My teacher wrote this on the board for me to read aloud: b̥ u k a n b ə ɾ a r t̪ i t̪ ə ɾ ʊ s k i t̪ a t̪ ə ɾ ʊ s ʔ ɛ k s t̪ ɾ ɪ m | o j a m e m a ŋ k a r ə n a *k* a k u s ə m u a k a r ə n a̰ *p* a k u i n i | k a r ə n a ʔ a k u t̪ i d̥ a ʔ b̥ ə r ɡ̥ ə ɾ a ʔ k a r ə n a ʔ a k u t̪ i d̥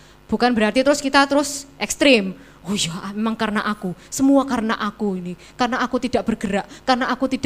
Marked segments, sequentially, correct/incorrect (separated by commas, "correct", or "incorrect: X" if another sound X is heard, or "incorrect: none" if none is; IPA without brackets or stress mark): incorrect: ʔ, incorrect: ʔ